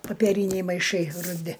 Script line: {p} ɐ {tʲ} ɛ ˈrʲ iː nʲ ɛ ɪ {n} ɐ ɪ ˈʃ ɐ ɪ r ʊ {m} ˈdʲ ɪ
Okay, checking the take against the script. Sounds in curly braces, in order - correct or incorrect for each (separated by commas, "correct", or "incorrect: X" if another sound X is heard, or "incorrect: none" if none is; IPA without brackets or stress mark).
correct, incorrect: pʲ, incorrect: m, incorrect: none